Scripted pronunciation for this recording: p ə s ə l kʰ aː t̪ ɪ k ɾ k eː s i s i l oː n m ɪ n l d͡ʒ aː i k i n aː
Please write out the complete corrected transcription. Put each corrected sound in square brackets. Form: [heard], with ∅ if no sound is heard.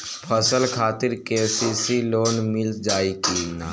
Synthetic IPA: [pʰ] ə s ə l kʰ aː t̪ ɪ [∅] ɾ k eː s i s i l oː n m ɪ [∅] l d͡ʒ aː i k i n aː